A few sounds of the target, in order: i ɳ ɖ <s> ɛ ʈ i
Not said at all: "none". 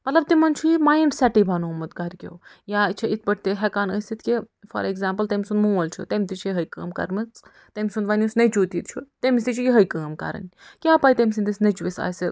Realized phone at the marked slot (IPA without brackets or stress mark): s